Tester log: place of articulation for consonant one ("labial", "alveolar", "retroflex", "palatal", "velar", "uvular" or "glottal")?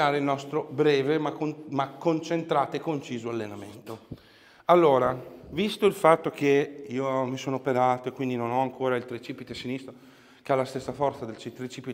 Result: alveolar